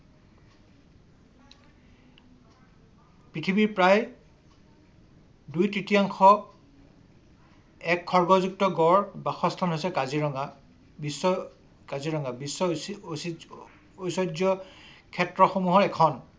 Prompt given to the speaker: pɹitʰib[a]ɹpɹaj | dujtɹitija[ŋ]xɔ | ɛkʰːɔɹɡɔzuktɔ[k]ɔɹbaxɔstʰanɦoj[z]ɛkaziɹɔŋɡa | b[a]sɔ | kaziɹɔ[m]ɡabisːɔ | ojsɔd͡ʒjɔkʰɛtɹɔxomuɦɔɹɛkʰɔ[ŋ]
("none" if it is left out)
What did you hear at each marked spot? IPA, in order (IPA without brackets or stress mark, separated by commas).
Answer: i, ŋ, ɡ, s, i, ŋ, n